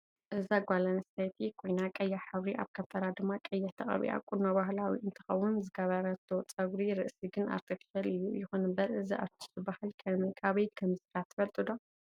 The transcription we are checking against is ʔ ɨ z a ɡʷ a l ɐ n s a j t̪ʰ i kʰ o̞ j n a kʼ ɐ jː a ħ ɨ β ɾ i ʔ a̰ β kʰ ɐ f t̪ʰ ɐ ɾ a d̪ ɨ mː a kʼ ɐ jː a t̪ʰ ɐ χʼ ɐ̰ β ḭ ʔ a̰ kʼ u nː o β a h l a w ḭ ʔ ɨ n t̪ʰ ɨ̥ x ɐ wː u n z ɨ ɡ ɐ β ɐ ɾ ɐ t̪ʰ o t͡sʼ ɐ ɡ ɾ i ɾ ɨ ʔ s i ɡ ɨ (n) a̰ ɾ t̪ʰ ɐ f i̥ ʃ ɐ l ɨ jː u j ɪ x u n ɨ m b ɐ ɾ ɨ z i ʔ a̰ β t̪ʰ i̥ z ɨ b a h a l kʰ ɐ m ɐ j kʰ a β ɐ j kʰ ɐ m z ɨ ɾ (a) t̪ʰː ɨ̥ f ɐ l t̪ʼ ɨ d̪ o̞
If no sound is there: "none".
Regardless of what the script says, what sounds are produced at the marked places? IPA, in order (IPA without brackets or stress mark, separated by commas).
n, a